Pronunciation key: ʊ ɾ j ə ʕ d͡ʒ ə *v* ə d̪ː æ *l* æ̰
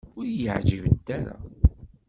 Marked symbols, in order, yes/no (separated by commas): yes, no